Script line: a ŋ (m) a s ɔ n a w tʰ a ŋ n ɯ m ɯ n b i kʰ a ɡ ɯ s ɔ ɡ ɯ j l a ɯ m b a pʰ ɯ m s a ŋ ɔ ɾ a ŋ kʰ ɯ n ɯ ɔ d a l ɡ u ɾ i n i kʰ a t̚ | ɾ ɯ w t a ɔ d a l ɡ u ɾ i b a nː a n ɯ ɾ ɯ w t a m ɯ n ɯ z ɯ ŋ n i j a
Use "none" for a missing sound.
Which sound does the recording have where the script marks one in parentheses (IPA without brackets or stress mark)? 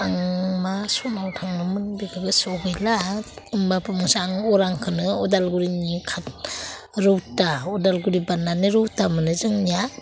m